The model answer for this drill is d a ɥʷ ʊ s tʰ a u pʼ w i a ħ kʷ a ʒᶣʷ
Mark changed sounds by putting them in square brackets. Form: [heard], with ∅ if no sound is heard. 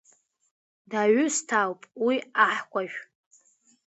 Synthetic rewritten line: d a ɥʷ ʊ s tʰ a [w] pʼ w i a ħ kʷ a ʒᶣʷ